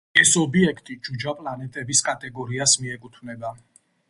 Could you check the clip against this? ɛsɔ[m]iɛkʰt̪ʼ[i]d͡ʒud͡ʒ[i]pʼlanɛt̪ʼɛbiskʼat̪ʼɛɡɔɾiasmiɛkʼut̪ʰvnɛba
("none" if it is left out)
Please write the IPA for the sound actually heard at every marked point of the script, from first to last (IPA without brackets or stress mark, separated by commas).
b, i, a